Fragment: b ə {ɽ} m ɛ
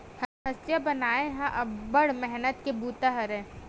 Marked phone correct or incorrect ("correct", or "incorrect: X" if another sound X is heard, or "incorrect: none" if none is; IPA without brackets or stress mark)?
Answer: correct